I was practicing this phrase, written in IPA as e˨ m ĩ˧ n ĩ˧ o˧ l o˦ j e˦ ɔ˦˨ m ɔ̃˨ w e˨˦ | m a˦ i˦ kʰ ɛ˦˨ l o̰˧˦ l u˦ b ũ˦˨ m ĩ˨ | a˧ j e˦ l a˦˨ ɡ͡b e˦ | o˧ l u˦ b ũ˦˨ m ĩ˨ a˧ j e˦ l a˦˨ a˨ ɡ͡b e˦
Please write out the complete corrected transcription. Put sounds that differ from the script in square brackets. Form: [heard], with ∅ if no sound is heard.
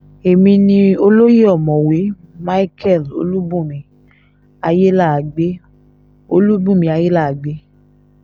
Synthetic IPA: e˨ m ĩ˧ n ĩ˧ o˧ l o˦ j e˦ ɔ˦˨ m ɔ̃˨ w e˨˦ | m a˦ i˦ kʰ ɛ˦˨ l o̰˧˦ l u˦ b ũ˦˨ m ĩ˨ | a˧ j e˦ l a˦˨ ɡ͡b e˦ | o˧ l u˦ b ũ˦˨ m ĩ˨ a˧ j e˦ l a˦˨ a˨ ɡ͡b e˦